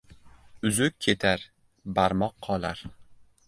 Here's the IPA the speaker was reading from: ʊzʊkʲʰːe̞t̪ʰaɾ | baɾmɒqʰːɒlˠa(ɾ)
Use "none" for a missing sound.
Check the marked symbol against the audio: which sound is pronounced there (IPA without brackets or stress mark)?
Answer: ɾ